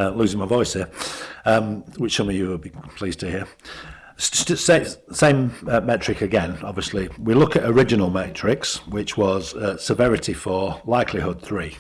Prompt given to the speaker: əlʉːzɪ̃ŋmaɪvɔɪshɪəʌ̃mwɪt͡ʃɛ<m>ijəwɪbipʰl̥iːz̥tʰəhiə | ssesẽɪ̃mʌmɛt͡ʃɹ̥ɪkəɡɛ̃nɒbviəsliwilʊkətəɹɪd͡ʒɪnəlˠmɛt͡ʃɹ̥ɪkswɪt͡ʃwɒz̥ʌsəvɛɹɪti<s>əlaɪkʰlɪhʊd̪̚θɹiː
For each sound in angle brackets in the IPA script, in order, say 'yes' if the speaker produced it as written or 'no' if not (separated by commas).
yes, no